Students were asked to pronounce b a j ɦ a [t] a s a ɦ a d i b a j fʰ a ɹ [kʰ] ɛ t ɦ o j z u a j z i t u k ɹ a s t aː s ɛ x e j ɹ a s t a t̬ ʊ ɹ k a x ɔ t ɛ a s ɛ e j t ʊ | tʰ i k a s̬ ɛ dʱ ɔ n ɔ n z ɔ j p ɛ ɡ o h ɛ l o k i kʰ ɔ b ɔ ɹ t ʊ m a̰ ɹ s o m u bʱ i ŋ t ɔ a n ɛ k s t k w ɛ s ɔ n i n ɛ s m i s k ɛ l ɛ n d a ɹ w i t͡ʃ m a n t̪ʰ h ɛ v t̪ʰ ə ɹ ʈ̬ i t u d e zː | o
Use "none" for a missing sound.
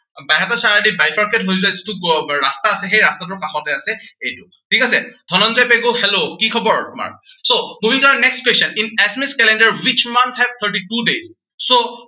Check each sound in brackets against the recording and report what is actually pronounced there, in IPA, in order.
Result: t, k

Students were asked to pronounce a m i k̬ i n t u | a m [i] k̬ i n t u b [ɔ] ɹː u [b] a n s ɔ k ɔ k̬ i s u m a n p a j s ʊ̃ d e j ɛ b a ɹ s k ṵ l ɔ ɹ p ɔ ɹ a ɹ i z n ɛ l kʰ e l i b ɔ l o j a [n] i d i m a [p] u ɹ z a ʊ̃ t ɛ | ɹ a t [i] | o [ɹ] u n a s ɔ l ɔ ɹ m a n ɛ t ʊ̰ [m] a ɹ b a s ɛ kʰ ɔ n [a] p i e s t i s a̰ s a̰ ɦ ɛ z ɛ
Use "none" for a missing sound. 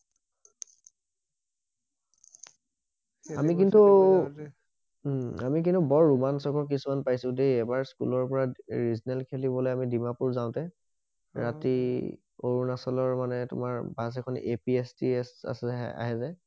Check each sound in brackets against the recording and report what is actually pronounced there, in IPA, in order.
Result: i, ɔ, m, m, p, i, ɹ, m, e

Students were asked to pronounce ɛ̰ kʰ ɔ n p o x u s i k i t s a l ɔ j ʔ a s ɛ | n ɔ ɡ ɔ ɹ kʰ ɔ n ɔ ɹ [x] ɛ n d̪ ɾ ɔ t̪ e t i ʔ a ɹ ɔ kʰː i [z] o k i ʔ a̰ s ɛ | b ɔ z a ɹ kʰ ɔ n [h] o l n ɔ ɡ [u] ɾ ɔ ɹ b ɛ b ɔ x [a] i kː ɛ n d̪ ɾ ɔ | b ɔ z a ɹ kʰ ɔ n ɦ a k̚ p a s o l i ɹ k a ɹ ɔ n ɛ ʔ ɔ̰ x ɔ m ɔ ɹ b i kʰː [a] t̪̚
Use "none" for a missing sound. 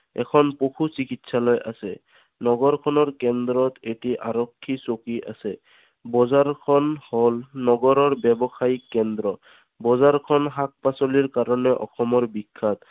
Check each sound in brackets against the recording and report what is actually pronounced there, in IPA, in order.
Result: k, s, h, ɔ, a, a

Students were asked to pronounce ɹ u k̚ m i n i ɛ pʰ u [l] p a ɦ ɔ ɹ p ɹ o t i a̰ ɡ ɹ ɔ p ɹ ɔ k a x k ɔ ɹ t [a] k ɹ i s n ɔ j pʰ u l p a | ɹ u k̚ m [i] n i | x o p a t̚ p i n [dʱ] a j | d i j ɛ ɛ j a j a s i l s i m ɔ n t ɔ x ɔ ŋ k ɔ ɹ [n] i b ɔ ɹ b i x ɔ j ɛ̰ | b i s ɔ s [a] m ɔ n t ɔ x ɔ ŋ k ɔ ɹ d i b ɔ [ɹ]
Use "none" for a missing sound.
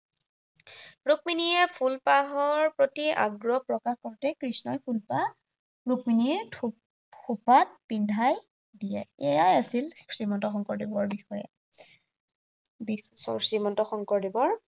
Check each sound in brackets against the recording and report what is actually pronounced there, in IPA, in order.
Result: l, ɛ, i, dʱ, d, i, ɹ

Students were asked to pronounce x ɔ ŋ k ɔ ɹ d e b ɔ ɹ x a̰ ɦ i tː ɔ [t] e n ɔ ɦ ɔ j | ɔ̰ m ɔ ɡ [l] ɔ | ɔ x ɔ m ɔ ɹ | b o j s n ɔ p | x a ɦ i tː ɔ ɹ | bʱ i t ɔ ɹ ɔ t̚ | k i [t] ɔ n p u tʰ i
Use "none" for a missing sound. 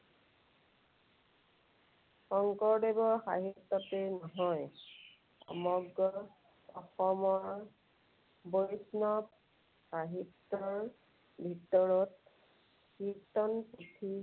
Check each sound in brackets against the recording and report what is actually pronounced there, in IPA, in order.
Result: t, ɹ, t

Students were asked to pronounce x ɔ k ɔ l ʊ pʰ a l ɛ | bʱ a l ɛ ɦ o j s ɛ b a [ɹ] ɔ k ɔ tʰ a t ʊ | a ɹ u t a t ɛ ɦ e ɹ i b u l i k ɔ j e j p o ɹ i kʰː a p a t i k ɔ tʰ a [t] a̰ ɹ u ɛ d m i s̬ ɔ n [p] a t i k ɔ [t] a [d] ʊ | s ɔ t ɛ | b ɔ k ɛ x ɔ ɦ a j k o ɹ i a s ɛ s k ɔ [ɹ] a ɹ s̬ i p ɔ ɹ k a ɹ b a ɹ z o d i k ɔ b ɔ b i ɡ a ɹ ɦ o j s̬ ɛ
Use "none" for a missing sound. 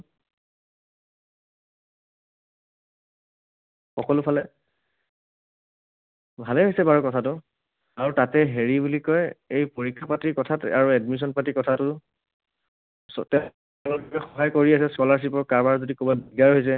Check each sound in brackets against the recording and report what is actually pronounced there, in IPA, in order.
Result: ɹ, t, p, tʰ, t, l

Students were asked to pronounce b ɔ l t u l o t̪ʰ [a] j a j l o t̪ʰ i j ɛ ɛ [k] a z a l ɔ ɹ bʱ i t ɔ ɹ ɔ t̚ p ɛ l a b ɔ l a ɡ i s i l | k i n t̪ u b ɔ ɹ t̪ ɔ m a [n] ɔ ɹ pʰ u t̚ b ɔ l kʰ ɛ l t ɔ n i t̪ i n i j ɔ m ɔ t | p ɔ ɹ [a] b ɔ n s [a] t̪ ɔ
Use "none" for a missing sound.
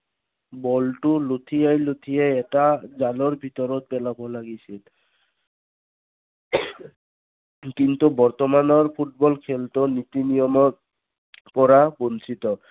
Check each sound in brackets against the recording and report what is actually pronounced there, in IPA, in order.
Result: i, t, n, a, i

